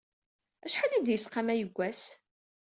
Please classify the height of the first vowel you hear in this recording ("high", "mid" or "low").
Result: low